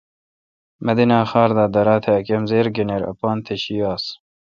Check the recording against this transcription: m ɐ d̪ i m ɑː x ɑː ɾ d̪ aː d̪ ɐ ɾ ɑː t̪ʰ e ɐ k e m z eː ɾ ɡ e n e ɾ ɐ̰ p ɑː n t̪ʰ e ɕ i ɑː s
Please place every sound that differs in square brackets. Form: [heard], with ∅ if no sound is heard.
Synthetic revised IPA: m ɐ d̪ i [n] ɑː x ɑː ɾ d̪ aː d̪ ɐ ɾ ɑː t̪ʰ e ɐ k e m z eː ɾ ɡ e n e ɾ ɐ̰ p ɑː n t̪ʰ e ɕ i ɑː s